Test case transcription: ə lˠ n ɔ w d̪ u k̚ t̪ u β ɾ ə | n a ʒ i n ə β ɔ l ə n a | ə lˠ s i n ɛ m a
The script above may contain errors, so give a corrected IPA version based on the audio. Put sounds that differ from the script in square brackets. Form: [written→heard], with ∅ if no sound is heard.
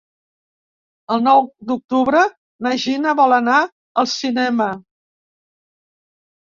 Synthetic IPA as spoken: ə lˠ n ɔ w d̪ u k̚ t̪ u β ɾ ə | n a ʒ i n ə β ɔ l ə n a | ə lˠ s i n ɛ m [a→ə]